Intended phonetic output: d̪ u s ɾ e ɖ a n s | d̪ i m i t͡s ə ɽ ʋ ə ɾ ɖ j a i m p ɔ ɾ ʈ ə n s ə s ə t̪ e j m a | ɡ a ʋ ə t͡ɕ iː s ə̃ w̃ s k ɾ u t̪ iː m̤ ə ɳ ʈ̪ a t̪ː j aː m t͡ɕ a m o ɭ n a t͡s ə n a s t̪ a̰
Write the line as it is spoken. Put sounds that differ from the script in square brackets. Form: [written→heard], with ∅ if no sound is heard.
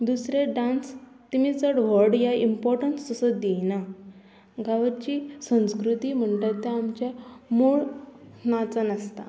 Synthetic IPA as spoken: d̪ u s ɾ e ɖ a n s | [d̪→t̪] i m i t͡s ə ɽ ʋ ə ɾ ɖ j a i m p ɔ ɾ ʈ ə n s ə s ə [t̪→d̪] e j [m→n] a | ɡ a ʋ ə t͡ɕ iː s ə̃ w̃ s k ɾ u t̪ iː m̤ ə ɳ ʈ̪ a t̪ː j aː m t͡ɕ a m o ɭ n a t͡s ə n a s t̪ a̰